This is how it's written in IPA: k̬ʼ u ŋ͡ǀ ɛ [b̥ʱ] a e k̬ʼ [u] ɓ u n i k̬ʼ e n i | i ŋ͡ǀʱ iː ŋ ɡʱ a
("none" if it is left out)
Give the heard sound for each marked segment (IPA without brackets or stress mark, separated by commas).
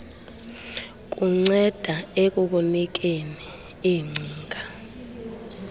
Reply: d̥ʱ, u